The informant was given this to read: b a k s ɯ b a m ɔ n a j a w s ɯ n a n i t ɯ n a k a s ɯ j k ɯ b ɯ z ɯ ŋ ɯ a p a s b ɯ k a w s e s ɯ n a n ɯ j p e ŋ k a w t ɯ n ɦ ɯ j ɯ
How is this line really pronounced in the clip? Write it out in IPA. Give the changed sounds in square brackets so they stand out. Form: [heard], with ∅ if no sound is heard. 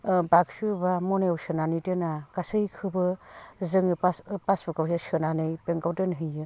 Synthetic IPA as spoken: b a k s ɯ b a m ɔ n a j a w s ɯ n a n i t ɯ n a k a s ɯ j [kʰ] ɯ b ɯ z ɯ ŋ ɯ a p a s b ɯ k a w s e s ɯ n a n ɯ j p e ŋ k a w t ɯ n ɦ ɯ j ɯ